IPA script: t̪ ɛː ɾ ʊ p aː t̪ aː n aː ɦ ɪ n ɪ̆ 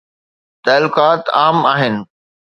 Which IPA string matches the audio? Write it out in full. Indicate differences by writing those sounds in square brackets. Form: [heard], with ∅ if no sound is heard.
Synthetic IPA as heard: t̪ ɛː [l] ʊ [k] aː t̪ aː [m] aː ɦ ɪ n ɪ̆